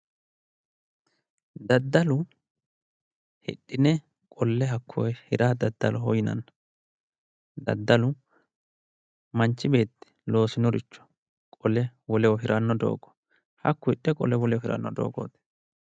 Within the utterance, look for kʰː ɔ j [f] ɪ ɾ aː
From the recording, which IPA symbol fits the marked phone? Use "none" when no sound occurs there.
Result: h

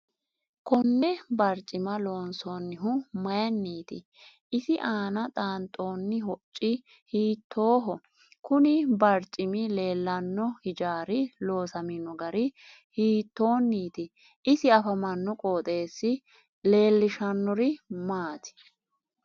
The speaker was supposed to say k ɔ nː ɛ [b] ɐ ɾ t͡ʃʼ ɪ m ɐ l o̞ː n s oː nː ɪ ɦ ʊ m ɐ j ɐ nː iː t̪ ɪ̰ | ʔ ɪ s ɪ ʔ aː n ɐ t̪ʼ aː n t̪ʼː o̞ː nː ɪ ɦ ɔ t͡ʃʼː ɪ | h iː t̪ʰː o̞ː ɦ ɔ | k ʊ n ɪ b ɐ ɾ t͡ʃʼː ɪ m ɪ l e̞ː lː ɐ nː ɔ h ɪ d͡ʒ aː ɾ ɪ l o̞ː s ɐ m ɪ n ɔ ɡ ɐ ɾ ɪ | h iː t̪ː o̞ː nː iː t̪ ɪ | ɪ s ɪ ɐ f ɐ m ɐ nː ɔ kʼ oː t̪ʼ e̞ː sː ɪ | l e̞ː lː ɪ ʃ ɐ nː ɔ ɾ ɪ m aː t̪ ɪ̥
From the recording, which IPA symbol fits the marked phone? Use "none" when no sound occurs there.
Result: b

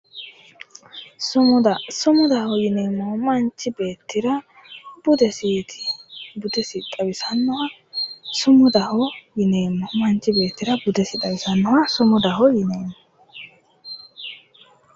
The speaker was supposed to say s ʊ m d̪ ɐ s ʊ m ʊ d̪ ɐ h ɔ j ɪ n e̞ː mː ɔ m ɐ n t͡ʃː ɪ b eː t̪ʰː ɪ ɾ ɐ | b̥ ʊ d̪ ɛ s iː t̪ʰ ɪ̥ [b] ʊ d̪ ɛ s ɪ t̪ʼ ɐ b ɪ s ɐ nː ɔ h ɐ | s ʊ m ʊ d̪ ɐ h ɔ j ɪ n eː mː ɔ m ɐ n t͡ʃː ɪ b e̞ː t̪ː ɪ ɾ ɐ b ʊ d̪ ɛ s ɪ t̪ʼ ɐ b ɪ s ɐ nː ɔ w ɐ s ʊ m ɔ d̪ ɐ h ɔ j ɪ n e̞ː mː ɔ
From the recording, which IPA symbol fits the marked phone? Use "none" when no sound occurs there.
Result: b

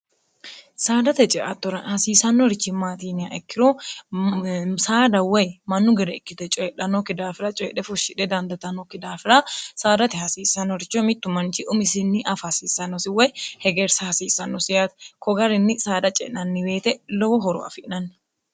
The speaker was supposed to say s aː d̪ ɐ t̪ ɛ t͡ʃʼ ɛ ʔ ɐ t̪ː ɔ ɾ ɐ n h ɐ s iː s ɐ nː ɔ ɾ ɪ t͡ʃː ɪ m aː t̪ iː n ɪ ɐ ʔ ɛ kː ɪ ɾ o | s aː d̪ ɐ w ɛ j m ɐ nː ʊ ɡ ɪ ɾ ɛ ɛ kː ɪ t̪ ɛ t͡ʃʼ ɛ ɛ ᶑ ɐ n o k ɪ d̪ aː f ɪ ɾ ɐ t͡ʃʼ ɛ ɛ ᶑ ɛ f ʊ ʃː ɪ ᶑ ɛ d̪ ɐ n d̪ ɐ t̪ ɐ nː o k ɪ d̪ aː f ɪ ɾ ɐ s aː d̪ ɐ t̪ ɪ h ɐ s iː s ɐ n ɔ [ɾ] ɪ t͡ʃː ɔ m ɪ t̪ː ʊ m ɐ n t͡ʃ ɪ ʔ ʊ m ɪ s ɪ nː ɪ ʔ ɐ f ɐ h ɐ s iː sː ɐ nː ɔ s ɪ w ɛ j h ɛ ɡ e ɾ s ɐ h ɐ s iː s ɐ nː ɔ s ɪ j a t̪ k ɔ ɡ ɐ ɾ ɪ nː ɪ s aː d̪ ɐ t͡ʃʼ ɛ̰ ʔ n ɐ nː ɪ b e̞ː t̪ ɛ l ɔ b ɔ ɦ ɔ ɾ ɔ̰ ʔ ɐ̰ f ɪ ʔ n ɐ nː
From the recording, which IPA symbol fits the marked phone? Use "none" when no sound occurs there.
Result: ɾ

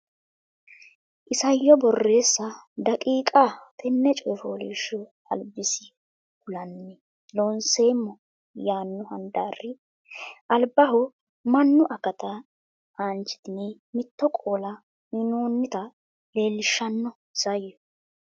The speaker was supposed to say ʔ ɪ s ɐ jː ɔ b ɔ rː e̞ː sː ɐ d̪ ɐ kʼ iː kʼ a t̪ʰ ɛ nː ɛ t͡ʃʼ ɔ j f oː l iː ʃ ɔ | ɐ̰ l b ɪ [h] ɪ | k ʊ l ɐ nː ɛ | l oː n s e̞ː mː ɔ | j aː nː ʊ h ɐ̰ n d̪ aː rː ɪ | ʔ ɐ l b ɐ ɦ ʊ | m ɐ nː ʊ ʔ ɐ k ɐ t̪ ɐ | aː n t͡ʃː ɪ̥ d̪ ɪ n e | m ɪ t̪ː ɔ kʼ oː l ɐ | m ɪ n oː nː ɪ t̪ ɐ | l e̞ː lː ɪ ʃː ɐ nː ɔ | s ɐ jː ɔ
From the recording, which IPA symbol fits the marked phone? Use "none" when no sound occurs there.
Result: s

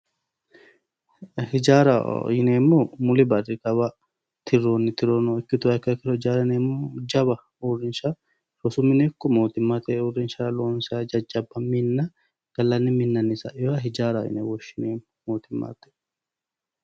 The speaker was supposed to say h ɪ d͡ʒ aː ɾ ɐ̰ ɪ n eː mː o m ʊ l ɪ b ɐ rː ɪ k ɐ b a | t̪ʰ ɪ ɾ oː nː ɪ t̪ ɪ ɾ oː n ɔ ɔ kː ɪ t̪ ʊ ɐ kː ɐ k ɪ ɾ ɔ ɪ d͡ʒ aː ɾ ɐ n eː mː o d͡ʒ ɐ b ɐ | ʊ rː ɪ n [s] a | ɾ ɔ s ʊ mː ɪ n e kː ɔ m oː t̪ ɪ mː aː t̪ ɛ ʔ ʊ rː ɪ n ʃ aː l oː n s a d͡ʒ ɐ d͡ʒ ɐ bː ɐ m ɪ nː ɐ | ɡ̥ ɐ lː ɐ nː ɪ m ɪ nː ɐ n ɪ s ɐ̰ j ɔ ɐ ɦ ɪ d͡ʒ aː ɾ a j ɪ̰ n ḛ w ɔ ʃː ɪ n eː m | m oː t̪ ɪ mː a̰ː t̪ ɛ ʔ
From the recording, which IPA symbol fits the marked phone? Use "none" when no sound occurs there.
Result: ʃ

